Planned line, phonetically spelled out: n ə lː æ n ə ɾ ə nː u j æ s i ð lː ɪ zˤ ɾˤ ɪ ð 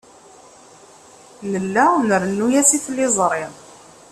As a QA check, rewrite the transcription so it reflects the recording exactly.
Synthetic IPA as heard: n ə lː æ n ə ɾ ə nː u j æ s i θ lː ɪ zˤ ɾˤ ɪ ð